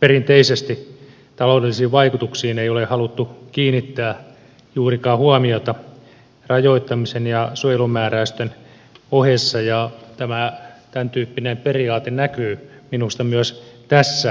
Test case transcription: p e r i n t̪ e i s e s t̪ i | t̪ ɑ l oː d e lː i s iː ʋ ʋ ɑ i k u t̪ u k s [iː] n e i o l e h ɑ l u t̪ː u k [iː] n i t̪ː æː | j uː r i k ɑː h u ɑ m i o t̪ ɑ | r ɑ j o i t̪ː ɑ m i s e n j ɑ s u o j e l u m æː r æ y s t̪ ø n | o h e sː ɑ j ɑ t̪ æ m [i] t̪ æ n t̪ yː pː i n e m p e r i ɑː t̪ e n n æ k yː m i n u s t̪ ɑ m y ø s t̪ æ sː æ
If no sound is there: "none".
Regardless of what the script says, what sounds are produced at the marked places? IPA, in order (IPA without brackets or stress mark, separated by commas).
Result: iː, iː, æ